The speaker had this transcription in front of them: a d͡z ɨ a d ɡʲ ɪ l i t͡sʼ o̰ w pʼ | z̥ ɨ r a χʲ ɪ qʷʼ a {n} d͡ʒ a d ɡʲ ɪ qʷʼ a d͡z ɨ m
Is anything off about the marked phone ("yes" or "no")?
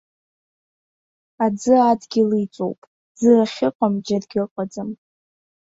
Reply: yes